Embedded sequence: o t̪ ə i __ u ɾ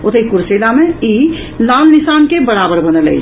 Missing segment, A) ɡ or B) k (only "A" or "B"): B